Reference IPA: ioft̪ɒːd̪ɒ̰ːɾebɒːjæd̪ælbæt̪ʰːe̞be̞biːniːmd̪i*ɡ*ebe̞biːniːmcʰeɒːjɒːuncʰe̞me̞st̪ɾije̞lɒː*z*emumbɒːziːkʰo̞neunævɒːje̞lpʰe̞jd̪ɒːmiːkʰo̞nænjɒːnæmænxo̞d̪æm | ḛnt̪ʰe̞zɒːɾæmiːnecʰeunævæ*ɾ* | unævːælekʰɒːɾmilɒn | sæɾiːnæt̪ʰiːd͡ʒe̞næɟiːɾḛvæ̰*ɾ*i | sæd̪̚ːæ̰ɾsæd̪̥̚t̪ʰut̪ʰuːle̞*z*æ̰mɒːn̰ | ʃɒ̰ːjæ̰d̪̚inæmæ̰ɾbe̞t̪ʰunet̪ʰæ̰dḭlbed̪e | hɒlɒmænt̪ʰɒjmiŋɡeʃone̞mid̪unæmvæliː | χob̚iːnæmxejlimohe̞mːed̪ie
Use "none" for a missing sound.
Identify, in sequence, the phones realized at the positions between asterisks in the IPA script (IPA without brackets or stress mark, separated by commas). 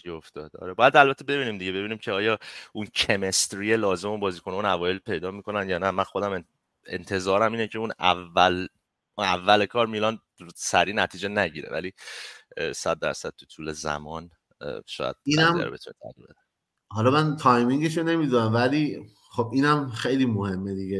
ɟ, z, l, l, z